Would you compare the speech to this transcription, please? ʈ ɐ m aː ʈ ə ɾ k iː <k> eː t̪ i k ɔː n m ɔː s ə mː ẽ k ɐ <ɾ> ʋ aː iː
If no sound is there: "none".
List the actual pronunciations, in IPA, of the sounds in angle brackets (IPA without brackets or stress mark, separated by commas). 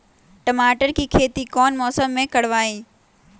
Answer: kʰ, ɽ